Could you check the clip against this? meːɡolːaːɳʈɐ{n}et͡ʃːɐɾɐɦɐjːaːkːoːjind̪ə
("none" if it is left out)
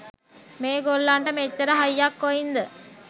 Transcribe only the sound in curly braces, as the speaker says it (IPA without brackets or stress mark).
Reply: m